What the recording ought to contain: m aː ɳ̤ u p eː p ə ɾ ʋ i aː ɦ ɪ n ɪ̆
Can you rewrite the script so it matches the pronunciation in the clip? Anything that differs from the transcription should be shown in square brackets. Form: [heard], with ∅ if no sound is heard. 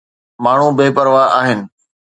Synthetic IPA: m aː ɳ̤ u [b] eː p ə ɾ ʋ [a] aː ɦ ɪ n ɪ̆